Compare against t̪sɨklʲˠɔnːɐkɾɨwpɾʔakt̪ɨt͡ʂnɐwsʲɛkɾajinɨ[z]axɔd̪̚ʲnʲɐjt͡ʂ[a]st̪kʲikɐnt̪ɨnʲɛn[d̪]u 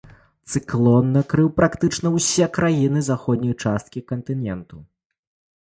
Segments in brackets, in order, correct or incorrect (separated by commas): correct, correct, incorrect